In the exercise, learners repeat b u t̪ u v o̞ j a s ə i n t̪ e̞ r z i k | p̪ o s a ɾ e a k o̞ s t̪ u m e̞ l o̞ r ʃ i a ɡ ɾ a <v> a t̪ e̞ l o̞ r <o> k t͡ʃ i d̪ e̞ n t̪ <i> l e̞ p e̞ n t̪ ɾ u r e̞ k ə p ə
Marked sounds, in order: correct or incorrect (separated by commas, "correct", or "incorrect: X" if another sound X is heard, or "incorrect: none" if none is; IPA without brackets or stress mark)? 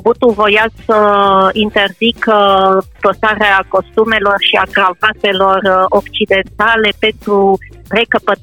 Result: correct, correct, incorrect: a